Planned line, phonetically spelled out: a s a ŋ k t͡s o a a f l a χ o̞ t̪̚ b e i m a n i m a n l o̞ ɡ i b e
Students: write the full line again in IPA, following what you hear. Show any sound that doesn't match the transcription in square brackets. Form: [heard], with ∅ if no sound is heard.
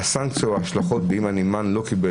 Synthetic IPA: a s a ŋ k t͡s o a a [ʃ] l a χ o̞ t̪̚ b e i m a n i m a n l o̞ [k] i b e